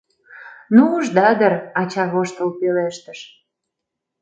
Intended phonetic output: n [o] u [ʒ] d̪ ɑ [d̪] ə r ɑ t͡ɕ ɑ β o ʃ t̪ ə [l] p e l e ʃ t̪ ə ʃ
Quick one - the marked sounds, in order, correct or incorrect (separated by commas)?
incorrect, correct, correct, correct